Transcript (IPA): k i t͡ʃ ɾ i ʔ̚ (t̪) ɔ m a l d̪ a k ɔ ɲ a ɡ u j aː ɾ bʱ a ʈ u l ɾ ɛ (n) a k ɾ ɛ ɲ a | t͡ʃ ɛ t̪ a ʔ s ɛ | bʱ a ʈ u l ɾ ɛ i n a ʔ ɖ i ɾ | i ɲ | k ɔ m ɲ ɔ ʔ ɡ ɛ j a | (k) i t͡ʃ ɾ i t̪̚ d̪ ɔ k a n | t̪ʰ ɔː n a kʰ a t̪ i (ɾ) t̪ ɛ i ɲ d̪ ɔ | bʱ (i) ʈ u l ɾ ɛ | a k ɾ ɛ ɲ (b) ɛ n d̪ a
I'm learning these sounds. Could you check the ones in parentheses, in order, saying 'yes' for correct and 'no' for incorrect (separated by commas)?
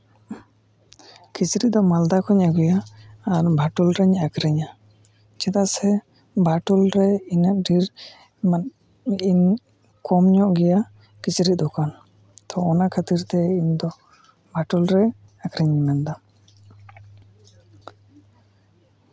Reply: no, no, yes, yes, no, no